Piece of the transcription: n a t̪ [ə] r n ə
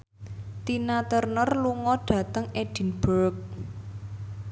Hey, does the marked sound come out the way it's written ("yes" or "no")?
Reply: yes